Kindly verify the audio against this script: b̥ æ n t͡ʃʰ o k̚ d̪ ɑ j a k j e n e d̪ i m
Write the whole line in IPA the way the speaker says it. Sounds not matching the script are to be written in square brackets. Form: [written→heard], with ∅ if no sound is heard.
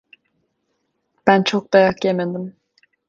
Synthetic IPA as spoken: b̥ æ n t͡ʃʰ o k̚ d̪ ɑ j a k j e [n→m] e d̪ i m